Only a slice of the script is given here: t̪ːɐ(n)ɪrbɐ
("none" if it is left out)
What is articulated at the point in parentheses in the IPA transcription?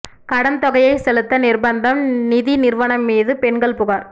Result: n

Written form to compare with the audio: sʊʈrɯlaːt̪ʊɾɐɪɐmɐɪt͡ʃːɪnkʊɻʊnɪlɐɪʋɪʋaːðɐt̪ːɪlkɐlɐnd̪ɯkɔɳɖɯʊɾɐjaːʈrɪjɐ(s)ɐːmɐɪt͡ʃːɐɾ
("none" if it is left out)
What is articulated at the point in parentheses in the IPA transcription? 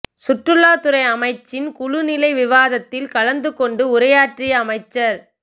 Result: none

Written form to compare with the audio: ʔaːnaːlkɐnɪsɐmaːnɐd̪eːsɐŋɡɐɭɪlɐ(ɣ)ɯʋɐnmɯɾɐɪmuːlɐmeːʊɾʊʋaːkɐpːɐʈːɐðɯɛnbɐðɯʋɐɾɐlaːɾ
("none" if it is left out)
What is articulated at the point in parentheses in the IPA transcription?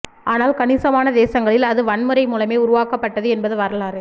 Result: ð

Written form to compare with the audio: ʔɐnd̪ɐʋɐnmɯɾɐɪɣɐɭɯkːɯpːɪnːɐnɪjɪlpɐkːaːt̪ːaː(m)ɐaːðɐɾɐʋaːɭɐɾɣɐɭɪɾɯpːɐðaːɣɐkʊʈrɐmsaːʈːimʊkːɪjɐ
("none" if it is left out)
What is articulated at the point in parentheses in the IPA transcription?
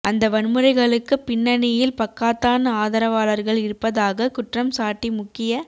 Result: n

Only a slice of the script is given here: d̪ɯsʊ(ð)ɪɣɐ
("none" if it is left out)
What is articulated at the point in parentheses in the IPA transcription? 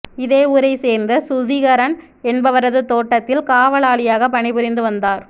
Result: ð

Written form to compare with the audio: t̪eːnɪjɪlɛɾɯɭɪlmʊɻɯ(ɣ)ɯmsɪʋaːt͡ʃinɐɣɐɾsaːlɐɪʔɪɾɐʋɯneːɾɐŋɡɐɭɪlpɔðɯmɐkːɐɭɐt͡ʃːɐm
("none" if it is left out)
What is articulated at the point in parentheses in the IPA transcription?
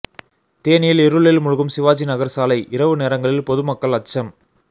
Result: ɣ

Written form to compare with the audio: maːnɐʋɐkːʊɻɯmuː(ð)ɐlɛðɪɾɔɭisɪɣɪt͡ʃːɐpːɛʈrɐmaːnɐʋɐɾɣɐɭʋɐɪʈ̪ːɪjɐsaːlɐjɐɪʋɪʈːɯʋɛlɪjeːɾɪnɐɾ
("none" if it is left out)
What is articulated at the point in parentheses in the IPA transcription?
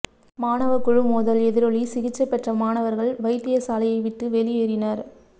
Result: ð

